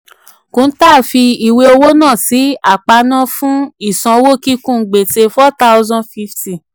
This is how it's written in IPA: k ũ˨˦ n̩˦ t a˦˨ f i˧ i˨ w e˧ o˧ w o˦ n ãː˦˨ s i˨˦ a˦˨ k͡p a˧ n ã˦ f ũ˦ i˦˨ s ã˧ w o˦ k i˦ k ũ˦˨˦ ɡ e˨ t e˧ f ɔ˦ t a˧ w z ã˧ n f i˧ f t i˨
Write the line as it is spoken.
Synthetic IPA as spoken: k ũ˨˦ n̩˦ t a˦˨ f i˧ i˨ w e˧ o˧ w o˦ n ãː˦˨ s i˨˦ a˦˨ k͡p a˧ n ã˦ f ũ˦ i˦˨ s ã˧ w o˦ k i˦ k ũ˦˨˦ ɡ͡b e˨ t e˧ f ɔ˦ t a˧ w z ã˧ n f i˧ f t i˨